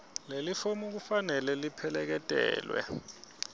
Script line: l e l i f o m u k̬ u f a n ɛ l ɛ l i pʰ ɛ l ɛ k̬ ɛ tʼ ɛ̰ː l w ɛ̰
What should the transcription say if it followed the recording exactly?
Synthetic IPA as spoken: l e l i f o m u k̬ u f a n ɛ l ɛ l i pʰ ɛ l ɛ k̬ ɛ tʼ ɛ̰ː l w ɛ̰